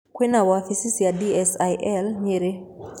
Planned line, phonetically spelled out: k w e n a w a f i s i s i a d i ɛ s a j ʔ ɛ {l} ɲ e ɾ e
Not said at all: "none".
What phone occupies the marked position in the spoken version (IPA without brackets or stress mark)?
l